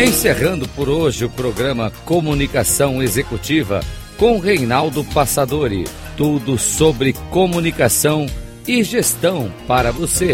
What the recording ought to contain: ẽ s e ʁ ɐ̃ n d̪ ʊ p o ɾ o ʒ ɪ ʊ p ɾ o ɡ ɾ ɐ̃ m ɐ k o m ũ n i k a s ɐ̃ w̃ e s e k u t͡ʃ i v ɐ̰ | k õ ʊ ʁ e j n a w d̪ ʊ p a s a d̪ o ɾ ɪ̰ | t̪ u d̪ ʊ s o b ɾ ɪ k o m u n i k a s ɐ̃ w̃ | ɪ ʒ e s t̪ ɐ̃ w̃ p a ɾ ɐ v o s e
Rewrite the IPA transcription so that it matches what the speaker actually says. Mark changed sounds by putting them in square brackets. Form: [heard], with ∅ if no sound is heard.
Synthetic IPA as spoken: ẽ s e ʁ ɐ̃ n d̪ ʊ p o ɾ o ʒ ɪ ʊ p ɾ o ɡ ɾ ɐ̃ m ɐ k o m [u] n i k a s ɐ̃ w̃ e [z] e k u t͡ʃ i v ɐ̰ | k õ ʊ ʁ e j n a w d̪ ʊ p a s a d̪ o ɾ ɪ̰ | t̪ u d̪ ʊ s o b ɾ ɪ k o m u n i k a s ɐ̃ w̃ | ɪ ʒ e s t̪ ɐ̃ w̃ p a ɾ ɐ v o s e